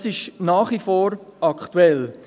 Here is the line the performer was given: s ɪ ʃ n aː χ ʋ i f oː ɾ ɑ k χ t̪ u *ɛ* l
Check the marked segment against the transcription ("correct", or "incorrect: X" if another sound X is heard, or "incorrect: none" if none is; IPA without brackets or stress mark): correct